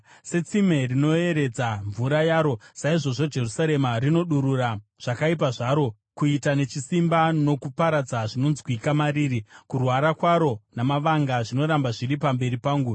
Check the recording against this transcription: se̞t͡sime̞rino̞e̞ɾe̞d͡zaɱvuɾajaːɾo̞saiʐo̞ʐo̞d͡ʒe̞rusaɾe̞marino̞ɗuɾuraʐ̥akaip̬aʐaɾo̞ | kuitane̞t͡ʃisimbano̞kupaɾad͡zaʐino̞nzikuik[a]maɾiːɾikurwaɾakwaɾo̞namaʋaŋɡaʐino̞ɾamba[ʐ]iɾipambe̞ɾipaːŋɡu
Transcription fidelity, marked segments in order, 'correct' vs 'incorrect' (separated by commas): correct, correct